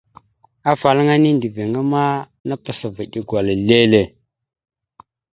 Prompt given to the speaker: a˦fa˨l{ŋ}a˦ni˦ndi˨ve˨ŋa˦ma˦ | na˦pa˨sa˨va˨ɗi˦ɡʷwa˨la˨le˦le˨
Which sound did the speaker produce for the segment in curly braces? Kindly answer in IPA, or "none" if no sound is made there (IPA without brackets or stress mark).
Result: ŋ